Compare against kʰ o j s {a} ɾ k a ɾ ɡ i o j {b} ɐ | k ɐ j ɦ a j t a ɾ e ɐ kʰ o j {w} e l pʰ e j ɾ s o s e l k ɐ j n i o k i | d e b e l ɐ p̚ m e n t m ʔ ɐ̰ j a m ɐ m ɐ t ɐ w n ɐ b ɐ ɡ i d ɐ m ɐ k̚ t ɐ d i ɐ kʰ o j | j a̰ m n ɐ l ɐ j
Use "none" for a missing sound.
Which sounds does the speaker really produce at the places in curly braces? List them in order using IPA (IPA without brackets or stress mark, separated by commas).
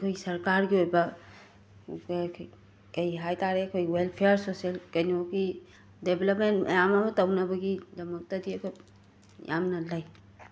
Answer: ɐ, b, w